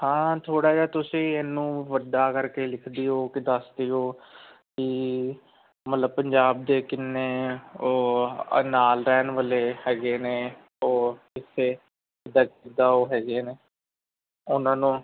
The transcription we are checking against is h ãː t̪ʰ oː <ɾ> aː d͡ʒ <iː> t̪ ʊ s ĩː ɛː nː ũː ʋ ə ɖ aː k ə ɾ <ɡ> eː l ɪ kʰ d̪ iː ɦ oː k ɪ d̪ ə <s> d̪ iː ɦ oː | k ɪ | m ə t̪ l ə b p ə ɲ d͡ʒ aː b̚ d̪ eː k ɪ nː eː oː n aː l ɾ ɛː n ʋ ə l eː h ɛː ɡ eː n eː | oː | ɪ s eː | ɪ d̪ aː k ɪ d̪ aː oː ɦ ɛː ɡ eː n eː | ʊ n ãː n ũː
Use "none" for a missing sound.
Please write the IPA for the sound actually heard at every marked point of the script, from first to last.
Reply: ɽ, aː, k, s

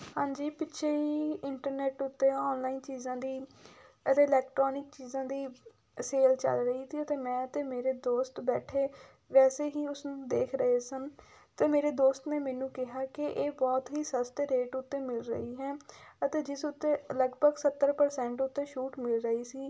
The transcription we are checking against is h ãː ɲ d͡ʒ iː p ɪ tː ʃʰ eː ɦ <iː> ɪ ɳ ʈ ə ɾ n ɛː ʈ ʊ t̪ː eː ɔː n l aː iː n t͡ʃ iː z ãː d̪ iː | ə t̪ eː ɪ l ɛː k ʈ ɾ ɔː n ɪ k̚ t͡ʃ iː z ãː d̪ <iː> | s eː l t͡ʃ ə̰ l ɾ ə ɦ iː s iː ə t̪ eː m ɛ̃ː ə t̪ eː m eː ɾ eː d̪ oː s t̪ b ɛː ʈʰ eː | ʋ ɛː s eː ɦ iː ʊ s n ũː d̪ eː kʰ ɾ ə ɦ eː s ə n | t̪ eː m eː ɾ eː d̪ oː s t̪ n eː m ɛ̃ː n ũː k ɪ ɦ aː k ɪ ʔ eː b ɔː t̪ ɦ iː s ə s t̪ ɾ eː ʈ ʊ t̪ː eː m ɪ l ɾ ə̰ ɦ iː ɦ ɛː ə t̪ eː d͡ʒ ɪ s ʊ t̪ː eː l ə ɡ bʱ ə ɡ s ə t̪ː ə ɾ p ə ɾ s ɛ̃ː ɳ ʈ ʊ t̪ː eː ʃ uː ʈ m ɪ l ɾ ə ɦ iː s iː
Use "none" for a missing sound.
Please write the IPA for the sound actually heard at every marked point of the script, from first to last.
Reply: iː, iː

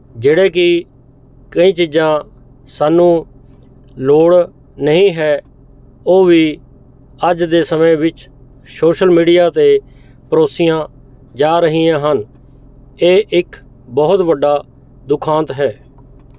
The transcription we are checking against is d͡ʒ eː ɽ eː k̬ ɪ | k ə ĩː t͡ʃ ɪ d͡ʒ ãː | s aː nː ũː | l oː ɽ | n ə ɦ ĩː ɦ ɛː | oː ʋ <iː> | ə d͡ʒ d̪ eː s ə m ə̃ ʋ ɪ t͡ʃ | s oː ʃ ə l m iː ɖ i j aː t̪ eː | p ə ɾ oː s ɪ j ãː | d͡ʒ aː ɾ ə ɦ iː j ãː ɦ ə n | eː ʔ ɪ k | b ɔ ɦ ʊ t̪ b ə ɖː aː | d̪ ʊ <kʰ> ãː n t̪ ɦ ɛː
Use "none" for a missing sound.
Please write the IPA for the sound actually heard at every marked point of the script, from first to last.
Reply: iː, kʰ

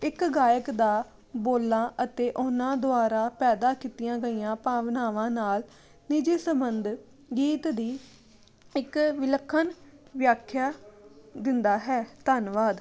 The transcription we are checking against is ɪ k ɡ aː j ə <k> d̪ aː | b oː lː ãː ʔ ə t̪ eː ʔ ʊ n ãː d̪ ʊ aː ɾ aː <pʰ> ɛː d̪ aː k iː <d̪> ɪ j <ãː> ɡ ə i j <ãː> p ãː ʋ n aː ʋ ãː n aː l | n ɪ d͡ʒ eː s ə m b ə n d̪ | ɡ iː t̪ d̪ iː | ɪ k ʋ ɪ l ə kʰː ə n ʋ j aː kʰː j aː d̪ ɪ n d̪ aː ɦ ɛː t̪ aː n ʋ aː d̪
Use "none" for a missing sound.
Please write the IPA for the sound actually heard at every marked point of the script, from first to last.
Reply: k, p, t̪, ãː, ãː

